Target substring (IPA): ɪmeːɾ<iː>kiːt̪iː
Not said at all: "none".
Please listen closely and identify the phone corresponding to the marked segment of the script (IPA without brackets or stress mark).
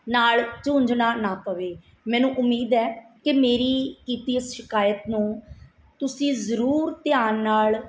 iː